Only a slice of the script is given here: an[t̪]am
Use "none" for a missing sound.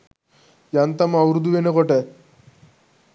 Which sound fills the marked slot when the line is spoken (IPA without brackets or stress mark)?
t̪